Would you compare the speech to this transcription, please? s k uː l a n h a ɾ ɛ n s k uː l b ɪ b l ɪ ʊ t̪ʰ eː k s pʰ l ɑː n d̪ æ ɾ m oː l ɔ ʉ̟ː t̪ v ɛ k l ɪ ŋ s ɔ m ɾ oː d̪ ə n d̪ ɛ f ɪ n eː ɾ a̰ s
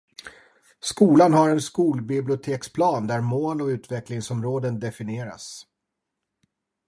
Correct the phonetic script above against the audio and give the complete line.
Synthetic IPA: s k uː l a n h a ɾ ɛ n s k uː l b ɪ b l ɪ ʊ t̪ʰ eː k s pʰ l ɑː n d̪ æ ɾ m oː l ɔ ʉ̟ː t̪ v ɛ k l ɪ ŋ s ɔ m ɾ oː d̪ ə n d̪ ɛ f ɪ n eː ɾ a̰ s